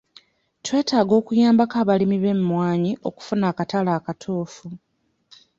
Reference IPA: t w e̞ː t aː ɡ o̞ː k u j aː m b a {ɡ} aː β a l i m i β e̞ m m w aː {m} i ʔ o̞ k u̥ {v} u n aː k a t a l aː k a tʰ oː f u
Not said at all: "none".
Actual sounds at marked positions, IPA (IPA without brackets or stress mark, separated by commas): k, ɲ, f